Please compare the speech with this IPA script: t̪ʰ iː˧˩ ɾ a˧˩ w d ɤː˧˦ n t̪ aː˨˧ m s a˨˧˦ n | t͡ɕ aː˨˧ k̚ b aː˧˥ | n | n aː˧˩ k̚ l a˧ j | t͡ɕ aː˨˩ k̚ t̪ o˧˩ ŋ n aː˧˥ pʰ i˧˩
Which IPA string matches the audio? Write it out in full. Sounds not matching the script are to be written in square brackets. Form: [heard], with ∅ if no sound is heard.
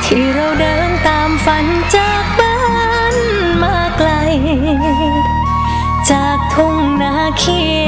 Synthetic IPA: t̪ʰ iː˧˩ ɾ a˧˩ w d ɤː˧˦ n t̪ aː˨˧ m [f] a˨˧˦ n | t͡ɕ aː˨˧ k̚ b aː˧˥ | n | [m] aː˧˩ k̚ l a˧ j | t͡ɕ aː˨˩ k̚ [t̪ʰ] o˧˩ ŋ n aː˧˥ [kʰ] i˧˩